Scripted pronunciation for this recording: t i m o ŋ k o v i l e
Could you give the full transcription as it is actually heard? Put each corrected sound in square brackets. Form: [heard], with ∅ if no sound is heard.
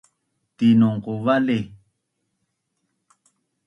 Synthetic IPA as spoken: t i [n] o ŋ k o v [a] l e